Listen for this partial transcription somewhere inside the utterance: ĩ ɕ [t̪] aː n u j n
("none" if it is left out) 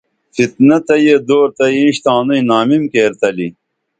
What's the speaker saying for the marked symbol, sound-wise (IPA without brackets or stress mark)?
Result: t̪